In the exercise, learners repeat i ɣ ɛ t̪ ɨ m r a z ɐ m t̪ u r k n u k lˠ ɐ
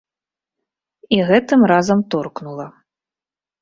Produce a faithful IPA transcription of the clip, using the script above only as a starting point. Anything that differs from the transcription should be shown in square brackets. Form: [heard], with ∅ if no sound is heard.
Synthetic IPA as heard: i ɣ ɛ t̪ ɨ m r a z ɐ m t̪ [ɔ] r k n u [∅] lˠ ɐ

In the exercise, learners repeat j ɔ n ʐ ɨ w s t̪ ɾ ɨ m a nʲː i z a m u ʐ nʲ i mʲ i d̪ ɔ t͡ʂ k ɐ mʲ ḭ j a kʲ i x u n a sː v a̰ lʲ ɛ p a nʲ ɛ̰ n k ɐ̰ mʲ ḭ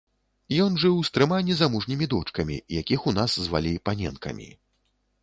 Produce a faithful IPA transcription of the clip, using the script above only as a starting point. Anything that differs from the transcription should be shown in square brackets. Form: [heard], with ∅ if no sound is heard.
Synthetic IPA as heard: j ɔ n ʐ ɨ w s t̪ ɾ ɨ m a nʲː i z a m u ʐ nʲ i mʲ i d̪ ɔ t͡ʂ k ɐ mʲ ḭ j a kʲ i x u n a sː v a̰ lʲ [i] p a nʲ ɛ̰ n k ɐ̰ mʲ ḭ

